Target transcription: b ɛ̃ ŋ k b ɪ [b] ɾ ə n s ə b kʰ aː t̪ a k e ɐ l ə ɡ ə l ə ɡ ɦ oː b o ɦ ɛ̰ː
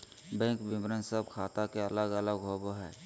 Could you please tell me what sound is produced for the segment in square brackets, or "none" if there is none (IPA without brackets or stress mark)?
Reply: m